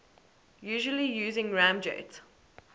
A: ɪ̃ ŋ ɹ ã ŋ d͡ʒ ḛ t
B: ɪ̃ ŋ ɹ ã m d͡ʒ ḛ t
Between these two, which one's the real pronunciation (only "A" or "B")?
B